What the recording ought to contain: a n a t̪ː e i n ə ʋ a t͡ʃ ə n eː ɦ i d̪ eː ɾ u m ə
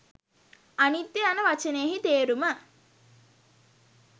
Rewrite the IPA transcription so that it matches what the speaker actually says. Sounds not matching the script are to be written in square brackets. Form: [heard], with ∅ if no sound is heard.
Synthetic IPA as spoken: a n [i] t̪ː e [a] n ə ʋ a t͡ʃ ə n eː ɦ i [t̪] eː ɾ u m ə